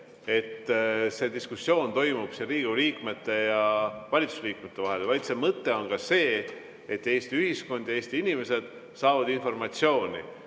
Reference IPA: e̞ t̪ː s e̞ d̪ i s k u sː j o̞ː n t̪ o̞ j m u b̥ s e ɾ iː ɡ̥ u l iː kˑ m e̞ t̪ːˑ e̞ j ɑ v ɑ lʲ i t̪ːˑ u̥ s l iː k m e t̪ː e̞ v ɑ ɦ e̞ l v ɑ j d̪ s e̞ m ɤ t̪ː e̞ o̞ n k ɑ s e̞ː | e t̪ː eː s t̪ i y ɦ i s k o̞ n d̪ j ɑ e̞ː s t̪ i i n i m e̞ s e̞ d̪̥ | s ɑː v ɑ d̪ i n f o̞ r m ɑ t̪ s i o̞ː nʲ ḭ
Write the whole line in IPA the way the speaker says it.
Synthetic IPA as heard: e̞ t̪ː s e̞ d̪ i s k u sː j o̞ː n t̪ o̞ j m u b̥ s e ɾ iː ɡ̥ u l iː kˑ m e̞ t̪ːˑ e̞ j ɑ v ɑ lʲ i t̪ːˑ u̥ s l iː k m e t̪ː e̞ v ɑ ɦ e̞ l v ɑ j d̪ s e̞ m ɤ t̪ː e̞ o̞ n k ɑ s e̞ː | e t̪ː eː s t̪ i y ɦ i s k o̞ n d̪ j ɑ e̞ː s t̪ i i n i m e̞ s e̞ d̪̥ | s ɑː v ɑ d̪ i n f o̞ r m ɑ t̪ s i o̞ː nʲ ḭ